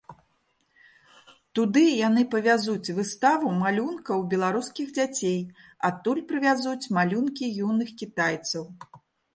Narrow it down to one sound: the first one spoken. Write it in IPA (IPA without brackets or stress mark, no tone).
t̪